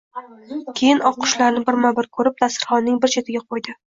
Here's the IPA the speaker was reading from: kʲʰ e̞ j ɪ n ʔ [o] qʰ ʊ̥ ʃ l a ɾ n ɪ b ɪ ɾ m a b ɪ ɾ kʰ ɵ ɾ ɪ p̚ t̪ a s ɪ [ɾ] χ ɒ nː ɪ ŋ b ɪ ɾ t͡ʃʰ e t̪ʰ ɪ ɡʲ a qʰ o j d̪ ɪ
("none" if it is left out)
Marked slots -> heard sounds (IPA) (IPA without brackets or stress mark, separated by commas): ɒ, ɾ